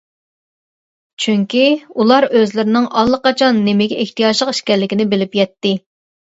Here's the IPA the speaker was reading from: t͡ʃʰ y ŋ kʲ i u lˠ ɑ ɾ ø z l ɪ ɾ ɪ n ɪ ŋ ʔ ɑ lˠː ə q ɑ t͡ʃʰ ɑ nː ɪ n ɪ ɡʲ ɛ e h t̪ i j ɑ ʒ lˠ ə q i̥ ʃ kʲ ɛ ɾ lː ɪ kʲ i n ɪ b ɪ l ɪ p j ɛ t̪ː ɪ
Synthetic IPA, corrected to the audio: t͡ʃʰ y ŋ kʲ i u lˠ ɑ ɾ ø z l ɪ ɾ ɪ n ɪ ŋ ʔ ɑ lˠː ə q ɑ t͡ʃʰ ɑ nː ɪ m ɪ ɡʲ ɛ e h t̪ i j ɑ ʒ lˠ ə q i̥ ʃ kʲ ɛ ɾ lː ɪ kʲ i n ɪ b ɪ l ɪ p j ɛ t̪ː ɪ